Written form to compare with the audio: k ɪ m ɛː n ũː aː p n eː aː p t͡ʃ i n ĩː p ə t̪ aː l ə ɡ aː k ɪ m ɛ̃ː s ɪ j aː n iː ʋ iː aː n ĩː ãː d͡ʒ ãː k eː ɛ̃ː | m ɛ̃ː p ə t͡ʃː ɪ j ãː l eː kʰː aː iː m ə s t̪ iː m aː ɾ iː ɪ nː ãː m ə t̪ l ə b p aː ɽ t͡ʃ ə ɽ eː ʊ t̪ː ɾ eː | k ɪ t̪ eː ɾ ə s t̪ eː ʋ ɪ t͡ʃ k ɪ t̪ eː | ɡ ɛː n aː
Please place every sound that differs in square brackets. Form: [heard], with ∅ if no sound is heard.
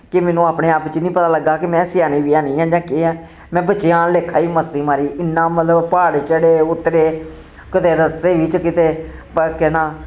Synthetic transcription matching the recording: k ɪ m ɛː n ũː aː p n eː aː p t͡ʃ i n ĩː p ə t̪ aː l ə ɡ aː k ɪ m ɛ̃ː s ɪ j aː n iː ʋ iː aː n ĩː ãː d͡ʒ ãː k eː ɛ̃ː | m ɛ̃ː [b] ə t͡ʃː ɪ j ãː l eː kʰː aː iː m ə s t̪ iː m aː ɾ iː ɪ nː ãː m ə t̪ l ə b p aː ɽ t͡ʃ ə ɽ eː ʊ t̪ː ɾ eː | k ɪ t̪ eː ɾ ə s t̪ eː ʋ ɪ t͡ʃ k ɪ t̪ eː | [k] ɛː n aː